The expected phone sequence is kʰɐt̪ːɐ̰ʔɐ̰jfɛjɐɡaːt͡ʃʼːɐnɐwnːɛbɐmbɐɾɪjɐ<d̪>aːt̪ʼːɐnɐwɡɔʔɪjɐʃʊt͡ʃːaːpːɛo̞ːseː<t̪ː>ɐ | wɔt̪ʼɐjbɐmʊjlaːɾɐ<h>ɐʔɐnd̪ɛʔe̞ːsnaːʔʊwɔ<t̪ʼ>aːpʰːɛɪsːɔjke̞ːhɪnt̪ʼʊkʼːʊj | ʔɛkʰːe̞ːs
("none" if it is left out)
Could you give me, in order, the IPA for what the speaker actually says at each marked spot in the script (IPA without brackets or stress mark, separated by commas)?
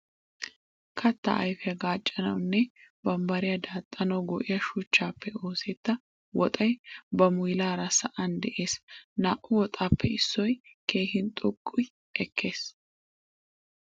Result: d̪, t̪ː, s, t̪ʼ